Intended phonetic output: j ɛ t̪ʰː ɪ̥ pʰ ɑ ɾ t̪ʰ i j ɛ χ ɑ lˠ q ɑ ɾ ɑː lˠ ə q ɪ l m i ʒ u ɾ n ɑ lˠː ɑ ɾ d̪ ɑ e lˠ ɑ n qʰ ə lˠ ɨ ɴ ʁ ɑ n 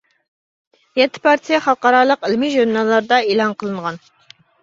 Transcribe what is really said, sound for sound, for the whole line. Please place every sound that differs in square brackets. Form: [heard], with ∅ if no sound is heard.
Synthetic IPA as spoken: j ɛ t̪ʰː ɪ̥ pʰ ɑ ɾ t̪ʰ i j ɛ χ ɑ lˠ q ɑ ɾ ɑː lˠ ə q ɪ l m i ʒ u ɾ n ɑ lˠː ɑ ɾ d̪ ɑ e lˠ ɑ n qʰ ə lˠ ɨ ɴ ʁ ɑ n